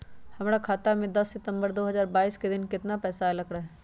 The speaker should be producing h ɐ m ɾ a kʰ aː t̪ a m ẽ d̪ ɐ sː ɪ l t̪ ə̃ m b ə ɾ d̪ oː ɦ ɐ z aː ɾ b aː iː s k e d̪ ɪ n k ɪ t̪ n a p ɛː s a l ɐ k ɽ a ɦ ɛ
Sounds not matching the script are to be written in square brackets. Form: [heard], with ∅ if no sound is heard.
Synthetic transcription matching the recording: h ɐ m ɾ a kʰ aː t̪ a m ẽ d̪ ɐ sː ɪ [∅] t̪ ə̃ m b ə ɾ d̪ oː ɦ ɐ z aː ɾ b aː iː s k e d̪ ɪ n k ɪ t̪ n a p ɛː s a l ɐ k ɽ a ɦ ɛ